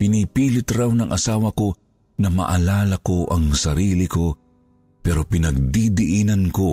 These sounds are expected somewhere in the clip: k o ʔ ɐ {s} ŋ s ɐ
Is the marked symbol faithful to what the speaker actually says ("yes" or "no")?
no